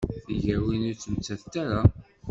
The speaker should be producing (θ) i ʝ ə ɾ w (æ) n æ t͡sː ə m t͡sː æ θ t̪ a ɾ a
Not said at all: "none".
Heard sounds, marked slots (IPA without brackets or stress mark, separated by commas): θ, i